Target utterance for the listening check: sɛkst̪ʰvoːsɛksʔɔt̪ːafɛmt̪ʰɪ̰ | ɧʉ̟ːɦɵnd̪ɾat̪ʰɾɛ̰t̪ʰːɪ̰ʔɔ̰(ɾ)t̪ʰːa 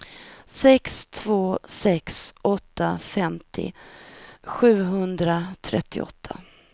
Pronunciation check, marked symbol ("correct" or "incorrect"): incorrect